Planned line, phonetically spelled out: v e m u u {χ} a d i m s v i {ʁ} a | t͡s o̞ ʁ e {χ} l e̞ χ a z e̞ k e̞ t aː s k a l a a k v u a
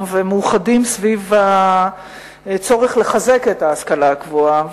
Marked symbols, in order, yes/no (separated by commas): yes, no, yes